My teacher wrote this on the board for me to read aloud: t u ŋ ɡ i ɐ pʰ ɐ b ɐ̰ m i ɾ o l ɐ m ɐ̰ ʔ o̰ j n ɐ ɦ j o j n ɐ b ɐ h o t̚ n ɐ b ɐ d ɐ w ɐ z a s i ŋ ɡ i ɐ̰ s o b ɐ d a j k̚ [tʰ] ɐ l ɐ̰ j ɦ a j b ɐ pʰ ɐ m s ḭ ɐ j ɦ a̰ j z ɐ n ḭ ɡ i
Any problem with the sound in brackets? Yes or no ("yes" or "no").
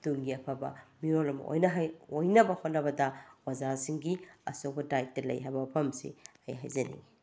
yes